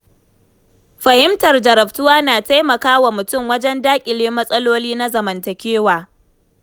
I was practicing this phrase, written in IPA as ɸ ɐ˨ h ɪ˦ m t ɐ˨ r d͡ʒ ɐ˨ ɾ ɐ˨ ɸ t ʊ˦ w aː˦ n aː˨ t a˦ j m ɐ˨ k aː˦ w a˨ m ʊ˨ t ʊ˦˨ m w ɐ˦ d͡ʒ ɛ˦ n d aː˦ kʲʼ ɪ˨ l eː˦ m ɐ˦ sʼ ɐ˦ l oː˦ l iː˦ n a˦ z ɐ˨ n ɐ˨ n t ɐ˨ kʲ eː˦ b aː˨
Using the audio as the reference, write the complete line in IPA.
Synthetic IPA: ɸ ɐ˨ h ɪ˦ m t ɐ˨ r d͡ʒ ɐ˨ ɾ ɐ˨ ɸ t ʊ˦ w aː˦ n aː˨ t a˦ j m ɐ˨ k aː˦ w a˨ m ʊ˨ t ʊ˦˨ m w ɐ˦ d͡ʒ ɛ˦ n d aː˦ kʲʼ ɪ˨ l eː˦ m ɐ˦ sʼ ɐ˦ l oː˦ l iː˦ n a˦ z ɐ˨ m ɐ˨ n t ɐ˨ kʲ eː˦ w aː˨